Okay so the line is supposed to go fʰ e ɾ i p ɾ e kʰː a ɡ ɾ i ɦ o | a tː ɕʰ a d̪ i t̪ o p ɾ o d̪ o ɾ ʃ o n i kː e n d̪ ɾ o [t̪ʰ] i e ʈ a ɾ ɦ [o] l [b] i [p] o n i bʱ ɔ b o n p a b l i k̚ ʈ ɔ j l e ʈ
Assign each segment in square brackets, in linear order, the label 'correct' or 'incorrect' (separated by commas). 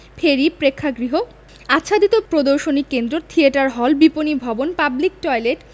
correct, incorrect, correct, correct